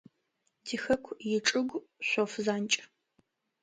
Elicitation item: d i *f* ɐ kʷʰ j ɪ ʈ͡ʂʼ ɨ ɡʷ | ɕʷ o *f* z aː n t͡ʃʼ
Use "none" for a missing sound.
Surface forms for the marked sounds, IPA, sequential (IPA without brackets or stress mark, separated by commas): x, f